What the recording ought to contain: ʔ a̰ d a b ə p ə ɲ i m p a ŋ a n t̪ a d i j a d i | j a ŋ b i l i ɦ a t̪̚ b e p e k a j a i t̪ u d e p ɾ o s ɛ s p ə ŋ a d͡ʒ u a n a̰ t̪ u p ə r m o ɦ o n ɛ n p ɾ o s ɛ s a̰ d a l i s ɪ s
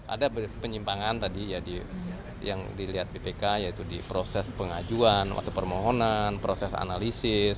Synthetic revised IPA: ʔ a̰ d a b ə p ə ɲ i m p a ŋ a n t̪ a d i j a d i | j a ŋ d i l i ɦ a t̪̚ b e p e k a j a i t̪ u d i p ɾ o s ɛ s p ə ŋ a d͡ʒ u a n a̰ t̪ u p ə r m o ɦ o n a n p ɾ o s ɛ s a̰ n a l i s ɪ s